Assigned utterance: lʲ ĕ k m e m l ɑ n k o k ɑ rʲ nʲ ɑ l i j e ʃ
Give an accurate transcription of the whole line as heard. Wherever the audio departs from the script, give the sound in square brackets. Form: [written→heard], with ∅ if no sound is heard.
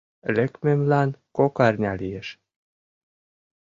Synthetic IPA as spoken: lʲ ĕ k m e m l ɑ n k o k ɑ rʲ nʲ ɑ l i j e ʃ